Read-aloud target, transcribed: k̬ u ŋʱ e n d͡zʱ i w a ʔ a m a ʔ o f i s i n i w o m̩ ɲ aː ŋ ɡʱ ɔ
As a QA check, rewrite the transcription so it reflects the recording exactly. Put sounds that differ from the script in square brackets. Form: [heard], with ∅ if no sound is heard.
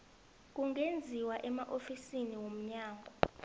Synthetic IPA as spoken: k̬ u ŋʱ e n d͡zʱ i w a ʔ [ɛ] m a ʔ o f i s i n i w o m̩ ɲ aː ŋ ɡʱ ɔ